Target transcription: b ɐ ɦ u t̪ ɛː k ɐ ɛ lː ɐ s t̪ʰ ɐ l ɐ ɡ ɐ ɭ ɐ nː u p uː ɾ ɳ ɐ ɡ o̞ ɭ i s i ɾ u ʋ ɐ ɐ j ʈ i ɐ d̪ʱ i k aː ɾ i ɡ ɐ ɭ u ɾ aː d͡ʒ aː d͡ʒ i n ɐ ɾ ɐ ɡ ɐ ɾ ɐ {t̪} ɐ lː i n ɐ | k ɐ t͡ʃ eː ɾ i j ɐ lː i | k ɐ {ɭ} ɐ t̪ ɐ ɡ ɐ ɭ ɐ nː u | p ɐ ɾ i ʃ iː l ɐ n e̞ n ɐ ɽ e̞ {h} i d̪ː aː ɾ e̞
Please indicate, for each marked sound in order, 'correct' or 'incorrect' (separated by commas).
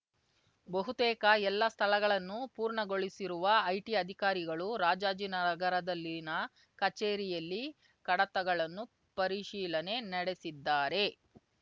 incorrect, incorrect, incorrect